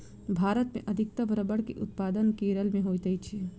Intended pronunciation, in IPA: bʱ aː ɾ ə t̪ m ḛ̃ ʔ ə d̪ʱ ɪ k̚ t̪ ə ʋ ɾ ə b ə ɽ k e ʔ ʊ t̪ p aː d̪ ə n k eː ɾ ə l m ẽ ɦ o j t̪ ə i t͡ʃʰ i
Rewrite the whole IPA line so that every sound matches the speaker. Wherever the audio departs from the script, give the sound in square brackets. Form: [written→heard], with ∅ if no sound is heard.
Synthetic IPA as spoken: bʱ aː ɾ ə t̪ m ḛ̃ ʔ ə d̪ʱ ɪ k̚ t̪ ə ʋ ɾ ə b ə ɽ k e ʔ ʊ t̪ p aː d̪ ə n k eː ɾ ə l m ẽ ɦ o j t̪ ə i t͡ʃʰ i